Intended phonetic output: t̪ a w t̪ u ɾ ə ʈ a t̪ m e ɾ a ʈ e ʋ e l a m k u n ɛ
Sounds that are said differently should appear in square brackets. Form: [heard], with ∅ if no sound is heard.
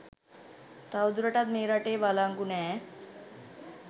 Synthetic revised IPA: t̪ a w [d̪] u ɾ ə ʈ a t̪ m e ɾ a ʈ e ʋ [a] l a [ŋ] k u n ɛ